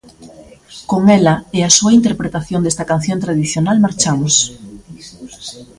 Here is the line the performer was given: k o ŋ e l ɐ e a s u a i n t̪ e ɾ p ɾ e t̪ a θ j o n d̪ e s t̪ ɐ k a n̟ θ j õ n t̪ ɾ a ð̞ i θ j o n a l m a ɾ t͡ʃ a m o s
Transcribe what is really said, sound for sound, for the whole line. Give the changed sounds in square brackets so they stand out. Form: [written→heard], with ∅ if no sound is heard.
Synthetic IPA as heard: k o ŋ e l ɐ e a s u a i n t̪ e ɾ p ɾ e t̪ a θ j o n d̪ e s t̪ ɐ k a n̟ θ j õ n t̪ ɾ a ð̞ i θ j o n a l m a ɾ t͡ʃ a m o s